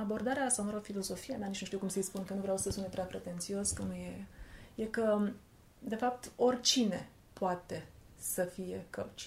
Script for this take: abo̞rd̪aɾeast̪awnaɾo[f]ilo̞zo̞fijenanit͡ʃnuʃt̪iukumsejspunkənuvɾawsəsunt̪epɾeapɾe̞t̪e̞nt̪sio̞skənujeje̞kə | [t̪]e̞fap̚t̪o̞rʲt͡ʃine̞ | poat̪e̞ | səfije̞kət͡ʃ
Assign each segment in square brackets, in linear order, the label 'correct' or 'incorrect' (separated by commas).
correct, incorrect